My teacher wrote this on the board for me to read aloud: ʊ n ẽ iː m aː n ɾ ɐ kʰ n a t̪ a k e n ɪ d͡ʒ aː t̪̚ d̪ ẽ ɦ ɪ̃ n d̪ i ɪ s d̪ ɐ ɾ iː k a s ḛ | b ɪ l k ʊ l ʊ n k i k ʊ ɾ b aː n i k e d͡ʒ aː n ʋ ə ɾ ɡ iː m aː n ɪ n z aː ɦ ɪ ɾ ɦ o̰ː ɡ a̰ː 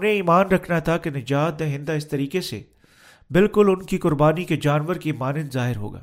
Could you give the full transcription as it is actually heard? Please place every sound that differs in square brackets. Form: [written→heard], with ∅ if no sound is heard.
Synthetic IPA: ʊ n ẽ iː m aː n ɾ ɐ kʰ n a [t̪→t̪ʰ] a k e n ɪ d͡ʒ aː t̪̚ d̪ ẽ ɦ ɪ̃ n d̪ [i→a] ɪ s [d̪→t̪] ɐ ɾ iː k [a→e] s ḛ | b ɪ l k ʊ l ʊ n k i k ʊ ɾ b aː n i k e d͡ʒ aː n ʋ ə ɾ [ɡ→k] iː m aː n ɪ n z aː ɦ ɪ ɾ ɦ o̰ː ɡ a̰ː